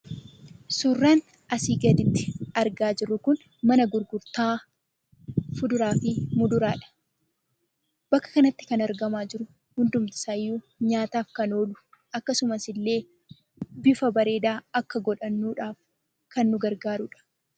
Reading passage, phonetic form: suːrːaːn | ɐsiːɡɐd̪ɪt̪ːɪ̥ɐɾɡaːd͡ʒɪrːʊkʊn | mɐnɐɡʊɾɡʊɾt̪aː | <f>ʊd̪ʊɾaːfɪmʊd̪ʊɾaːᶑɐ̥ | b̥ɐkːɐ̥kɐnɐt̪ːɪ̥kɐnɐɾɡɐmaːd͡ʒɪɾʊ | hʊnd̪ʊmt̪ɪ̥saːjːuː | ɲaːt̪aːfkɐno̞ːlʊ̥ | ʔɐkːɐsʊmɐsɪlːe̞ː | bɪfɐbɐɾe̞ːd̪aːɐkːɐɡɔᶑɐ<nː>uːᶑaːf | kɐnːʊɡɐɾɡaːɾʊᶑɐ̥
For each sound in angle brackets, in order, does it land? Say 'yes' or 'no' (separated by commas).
yes, yes